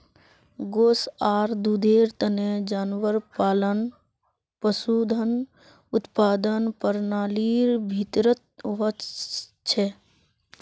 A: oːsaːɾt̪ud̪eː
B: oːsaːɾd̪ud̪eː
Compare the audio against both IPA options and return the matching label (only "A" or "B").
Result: B